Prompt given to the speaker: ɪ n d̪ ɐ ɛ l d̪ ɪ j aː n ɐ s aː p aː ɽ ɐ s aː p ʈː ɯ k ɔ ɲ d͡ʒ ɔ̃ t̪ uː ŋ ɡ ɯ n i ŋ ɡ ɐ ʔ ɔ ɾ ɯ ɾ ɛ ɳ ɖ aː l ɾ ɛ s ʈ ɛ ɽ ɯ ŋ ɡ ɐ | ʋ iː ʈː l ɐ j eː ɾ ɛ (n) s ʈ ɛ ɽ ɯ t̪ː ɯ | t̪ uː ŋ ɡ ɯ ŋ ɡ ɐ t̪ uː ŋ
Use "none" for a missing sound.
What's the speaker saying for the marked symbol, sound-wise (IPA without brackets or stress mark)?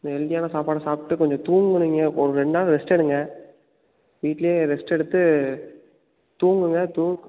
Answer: none